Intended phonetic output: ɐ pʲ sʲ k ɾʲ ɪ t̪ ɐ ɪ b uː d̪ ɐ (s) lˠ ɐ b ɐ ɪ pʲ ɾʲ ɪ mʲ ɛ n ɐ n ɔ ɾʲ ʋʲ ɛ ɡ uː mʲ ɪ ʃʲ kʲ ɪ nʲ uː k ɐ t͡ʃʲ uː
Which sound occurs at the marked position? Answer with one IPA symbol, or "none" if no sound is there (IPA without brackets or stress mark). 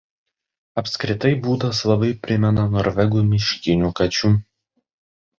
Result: s